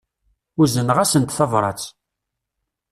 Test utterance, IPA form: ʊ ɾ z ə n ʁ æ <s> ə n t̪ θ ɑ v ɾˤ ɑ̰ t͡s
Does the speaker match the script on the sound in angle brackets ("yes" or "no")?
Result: yes